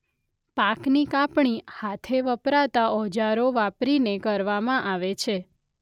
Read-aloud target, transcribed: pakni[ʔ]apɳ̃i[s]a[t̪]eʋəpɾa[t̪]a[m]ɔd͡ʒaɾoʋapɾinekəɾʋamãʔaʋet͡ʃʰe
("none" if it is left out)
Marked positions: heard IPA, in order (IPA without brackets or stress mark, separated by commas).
k, h, t̪ʰ, t̪, none